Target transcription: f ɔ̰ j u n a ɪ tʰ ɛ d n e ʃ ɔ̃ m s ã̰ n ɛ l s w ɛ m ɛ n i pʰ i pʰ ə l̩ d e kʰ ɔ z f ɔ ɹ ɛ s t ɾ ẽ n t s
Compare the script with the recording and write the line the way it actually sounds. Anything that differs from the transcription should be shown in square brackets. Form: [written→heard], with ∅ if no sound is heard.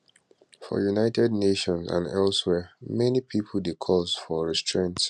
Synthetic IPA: f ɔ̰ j u n a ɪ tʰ ɛ d n e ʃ ɔ̃ [m→n] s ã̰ n ɛ l s w ɛ m ɛ n i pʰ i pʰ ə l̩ d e kʰ ɔ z f ɔ ɹ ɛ s t [ɾ→ɹ] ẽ n t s